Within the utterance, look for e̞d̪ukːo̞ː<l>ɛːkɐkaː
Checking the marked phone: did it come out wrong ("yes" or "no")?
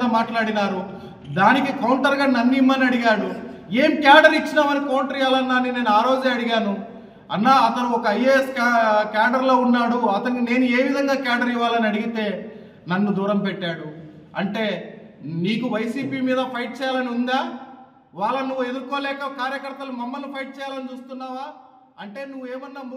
no